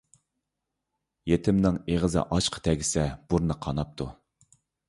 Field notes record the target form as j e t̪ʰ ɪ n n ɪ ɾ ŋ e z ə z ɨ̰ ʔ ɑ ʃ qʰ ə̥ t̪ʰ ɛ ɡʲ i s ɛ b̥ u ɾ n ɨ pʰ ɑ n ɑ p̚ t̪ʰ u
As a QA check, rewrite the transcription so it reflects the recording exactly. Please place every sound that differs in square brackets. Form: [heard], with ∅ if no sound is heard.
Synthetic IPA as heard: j e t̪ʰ ɪ [m] n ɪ [∅] ŋ e [ʁ] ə z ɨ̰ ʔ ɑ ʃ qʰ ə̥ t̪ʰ ɛ ɡʲ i s ɛ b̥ u ɾ n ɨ [qʰ] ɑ n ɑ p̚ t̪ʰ u